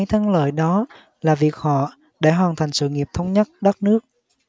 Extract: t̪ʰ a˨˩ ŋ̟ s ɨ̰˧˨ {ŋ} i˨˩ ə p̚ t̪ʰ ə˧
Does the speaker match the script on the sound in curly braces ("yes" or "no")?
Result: yes